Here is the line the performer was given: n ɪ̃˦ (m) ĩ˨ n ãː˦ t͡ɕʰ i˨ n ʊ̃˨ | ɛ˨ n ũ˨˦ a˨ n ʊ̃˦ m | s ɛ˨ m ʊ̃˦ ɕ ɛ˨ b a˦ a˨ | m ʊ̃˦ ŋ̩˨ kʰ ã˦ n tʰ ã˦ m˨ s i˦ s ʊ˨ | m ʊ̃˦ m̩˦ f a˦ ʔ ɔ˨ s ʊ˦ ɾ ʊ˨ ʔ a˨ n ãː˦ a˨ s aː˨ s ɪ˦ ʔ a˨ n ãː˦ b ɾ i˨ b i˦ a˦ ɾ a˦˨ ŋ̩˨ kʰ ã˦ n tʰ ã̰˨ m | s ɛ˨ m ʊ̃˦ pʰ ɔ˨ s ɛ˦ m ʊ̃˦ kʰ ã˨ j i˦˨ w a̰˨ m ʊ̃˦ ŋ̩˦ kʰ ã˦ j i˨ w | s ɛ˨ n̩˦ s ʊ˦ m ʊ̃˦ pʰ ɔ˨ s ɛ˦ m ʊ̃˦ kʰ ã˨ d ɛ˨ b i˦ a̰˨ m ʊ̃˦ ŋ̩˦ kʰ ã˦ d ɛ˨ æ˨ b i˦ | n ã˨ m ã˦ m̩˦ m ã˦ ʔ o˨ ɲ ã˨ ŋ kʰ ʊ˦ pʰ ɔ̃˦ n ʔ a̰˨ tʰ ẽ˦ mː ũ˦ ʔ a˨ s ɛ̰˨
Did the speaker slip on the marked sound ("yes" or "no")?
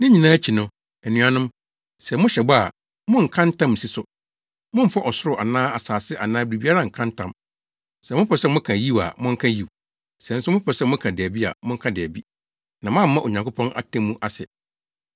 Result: yes